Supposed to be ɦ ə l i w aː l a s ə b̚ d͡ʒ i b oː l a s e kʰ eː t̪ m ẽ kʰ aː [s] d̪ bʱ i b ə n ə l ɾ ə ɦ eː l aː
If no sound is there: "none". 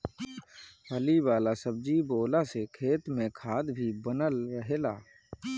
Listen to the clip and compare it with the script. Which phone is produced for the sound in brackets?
none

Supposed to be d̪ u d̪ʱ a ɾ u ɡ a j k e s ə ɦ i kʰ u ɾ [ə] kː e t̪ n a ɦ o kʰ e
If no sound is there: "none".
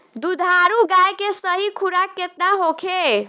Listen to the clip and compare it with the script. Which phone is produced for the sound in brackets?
a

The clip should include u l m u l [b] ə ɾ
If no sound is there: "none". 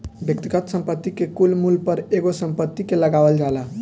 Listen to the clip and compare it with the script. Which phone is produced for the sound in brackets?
p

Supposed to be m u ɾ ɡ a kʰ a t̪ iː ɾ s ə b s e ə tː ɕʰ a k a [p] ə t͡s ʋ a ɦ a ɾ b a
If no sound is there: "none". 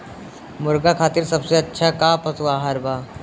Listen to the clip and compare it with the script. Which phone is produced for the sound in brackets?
p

